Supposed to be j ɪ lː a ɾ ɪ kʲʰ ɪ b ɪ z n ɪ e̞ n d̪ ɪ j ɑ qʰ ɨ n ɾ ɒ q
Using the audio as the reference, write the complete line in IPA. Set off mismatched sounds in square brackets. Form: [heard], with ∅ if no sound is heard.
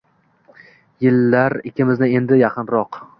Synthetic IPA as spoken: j ɪ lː a ɾ ɪ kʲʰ ɪ [m] ɪ z n ɪ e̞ n d̪ ɪ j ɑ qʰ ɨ n ɾ ɒ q